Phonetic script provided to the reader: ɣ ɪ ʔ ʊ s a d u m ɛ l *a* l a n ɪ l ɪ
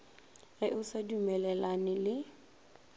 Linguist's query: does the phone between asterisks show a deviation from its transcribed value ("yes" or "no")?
yes